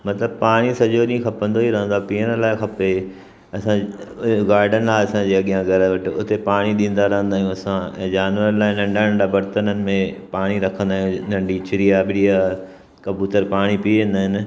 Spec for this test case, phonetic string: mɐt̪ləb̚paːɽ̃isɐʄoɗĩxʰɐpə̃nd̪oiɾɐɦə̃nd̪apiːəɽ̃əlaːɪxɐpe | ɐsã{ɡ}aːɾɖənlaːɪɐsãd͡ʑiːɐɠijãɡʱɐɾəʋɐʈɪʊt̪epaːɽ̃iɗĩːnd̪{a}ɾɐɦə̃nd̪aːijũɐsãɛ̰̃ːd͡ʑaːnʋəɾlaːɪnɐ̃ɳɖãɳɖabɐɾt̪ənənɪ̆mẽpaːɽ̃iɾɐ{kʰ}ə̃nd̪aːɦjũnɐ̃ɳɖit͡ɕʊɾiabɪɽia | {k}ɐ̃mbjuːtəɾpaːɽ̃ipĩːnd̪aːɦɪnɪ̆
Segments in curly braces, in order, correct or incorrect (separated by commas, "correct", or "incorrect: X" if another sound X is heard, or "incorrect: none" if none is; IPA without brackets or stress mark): correct, correct, correct, correct